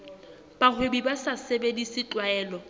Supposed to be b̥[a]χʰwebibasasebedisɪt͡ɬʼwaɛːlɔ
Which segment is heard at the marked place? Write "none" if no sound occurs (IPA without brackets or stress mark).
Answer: a